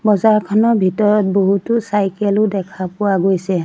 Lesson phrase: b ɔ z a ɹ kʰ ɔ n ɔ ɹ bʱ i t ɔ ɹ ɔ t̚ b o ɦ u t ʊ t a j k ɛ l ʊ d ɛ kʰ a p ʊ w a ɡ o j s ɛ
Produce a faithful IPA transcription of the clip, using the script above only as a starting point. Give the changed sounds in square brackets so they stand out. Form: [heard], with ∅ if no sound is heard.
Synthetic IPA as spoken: b ɔ z a ɹ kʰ ɔ n ɔ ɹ bʱ i t ɔ ɹ ɔ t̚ b o ɦ u t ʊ [s] a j k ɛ l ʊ d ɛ kʰ a p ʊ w a ɡ o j s ɛ